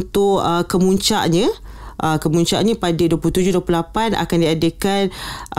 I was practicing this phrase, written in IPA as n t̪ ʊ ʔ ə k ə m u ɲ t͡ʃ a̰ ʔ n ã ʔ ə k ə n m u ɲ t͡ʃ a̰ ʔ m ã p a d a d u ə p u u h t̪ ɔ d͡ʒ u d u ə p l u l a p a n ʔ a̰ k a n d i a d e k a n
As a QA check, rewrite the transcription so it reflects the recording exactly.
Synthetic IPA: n t̪ ʊ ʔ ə k ə m u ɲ t͡ʃ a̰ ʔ ɲ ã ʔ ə k ə m u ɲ t͡ʃ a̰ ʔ ɲ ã p a d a d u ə p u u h t̪ u d͡ʒ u d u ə p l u l a p a n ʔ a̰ k a n d i a d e k a n